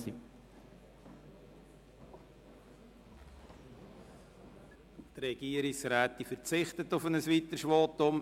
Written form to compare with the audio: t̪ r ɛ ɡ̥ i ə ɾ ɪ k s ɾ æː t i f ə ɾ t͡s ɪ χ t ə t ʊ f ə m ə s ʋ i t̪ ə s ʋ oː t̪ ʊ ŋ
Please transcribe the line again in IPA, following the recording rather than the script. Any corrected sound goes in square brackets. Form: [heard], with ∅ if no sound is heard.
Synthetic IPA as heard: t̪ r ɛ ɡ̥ i ə ɾ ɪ k s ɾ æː t i f ə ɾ t͡s ɪ χ t ə t ʊ f ə [n] ə s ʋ i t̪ ə [ʃ] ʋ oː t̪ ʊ [m]